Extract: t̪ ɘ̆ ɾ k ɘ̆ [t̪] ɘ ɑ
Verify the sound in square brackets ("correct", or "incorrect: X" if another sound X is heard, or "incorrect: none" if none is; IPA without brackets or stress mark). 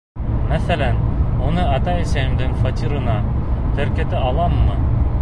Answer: correct